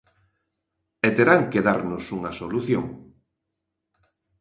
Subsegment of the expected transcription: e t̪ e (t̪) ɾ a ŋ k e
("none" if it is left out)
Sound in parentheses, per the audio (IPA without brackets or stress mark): none